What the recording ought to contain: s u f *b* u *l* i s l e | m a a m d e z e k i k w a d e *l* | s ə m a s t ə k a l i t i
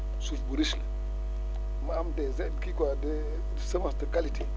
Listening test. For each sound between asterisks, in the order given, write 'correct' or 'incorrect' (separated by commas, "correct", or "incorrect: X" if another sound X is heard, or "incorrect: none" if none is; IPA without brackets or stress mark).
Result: correct, incorrect: ɾ, incorrect: none